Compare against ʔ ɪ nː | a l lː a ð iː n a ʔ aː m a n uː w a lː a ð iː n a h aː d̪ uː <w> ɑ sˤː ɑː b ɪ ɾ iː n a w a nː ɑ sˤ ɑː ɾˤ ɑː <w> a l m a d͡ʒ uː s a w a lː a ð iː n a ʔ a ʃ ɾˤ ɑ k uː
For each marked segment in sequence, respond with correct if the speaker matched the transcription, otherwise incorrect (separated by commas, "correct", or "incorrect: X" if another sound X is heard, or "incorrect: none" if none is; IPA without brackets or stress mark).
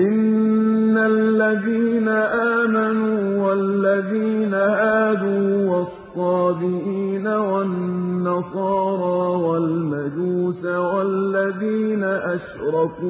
correct, correct